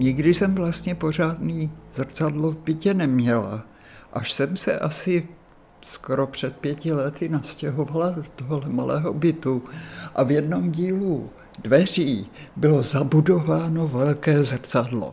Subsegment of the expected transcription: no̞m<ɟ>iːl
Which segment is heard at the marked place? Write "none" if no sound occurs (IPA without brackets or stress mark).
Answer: ɟ